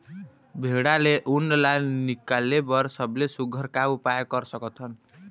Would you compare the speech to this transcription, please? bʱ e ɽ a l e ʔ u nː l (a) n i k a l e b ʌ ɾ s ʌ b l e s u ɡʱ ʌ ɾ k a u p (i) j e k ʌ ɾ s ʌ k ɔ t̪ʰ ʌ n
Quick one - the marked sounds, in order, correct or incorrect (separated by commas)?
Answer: correct, incorrect